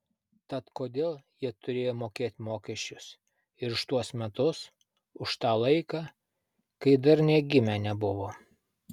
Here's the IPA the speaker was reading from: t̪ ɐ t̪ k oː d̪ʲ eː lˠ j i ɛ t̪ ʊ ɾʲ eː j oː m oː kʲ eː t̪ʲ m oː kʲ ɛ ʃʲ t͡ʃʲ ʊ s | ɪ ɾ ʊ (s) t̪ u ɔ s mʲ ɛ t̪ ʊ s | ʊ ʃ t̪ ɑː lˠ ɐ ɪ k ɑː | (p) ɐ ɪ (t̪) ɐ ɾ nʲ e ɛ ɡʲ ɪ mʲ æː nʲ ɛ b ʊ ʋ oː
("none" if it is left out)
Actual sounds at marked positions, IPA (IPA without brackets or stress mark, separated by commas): ʃ, k, d̪